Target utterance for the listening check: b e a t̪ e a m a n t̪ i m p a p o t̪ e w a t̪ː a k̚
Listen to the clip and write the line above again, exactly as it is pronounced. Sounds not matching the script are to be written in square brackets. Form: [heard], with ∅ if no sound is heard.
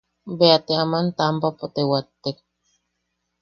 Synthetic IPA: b e a t̪ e a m a n t̪ [a] m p a p o t̪ e w a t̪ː [e] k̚